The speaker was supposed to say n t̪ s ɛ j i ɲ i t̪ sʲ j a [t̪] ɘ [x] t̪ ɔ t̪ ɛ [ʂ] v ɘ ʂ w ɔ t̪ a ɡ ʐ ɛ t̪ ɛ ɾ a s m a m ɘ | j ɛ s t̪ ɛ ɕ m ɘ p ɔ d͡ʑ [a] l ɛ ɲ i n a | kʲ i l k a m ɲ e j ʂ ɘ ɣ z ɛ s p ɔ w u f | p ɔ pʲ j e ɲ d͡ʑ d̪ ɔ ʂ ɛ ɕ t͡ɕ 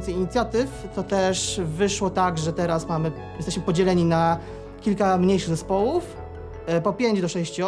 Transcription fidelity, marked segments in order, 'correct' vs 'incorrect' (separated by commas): correct, incorrect, correct, incorrect